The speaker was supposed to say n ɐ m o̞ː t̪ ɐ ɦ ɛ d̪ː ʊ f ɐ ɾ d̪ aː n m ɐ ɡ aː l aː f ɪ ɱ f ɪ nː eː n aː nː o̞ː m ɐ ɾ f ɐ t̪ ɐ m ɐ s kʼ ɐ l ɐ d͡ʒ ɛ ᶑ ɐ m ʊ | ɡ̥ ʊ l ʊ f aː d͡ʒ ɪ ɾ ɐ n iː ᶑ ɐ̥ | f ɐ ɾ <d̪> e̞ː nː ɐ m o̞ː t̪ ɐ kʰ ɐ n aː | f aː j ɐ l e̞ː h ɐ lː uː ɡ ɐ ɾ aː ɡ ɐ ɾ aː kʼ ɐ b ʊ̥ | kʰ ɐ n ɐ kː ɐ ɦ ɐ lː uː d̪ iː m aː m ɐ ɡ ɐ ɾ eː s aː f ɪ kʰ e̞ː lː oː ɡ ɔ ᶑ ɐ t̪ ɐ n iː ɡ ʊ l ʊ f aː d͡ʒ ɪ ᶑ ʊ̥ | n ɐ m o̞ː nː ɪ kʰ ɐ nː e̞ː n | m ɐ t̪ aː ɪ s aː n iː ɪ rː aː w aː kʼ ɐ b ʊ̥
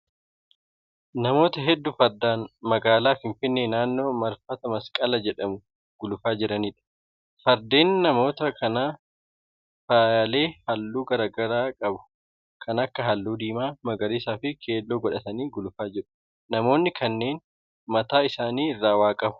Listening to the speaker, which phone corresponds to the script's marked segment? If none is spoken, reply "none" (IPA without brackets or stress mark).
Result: d̪